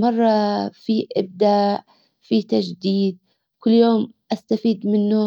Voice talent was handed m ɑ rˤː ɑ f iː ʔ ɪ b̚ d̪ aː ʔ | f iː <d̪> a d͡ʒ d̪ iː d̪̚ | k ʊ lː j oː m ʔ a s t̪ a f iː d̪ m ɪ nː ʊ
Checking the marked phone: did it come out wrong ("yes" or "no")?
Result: yes